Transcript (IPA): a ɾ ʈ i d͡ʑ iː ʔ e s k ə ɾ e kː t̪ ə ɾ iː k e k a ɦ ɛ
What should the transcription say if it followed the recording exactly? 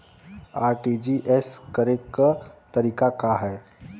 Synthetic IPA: a ɾ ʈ i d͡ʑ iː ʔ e s k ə ɾ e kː t̪ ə ɾ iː k a k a ɦ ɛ